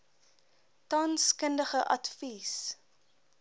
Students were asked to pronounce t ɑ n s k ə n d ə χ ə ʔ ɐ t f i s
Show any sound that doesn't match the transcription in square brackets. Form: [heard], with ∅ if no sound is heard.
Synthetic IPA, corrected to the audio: t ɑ n s k ə n d ə χ ə ʔ ɐ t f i s